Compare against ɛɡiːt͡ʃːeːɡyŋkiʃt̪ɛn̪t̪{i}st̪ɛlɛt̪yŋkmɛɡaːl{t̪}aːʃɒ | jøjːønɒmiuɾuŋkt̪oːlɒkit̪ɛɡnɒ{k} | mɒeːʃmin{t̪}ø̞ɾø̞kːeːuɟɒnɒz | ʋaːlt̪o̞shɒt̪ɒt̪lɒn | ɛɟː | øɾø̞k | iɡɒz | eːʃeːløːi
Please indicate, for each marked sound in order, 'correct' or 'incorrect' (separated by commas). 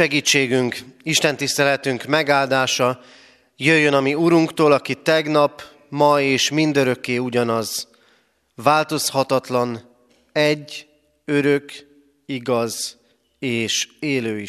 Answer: correct, incorrect, incorrect, incorrect